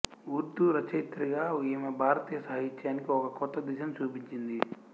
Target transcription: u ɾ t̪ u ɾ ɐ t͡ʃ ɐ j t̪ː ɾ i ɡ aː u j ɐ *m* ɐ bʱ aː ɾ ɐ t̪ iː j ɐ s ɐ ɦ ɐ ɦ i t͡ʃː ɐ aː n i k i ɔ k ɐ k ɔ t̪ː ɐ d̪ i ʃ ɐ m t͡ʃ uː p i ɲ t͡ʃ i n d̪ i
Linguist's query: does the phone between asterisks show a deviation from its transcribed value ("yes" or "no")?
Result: no